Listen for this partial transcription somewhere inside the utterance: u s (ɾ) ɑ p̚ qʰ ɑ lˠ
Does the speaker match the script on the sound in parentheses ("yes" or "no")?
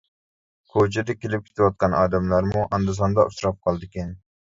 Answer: yes